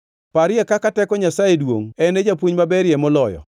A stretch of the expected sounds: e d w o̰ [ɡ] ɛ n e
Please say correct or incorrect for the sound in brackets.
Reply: incorrect